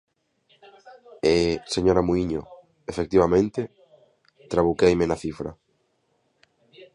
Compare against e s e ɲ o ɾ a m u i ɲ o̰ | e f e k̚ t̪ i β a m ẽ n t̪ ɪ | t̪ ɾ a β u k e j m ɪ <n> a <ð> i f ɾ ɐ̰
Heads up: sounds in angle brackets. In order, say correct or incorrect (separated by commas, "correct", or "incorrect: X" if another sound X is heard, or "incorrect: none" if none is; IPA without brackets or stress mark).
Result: correct, incorrect: θ